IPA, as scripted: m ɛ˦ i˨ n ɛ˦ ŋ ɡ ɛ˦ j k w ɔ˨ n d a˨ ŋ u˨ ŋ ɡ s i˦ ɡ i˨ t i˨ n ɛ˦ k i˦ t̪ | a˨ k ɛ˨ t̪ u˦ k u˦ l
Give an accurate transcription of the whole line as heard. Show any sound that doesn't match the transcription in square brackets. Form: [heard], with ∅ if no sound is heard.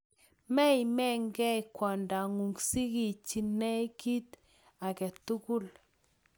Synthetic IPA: m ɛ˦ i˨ [m] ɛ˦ ŋ ɡ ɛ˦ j k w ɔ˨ n d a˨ ŋ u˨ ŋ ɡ s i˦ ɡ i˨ [t͡ʃ] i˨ n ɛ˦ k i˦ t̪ | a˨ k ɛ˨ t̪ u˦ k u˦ l